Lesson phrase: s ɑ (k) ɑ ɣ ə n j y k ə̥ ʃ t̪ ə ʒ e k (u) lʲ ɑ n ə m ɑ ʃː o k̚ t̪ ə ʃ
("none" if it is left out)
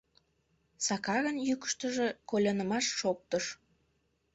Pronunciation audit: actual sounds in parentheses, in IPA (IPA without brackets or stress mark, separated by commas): k, o